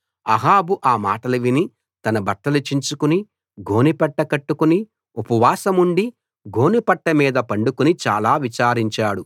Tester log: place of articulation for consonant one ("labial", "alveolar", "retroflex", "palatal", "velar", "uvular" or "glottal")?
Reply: glottal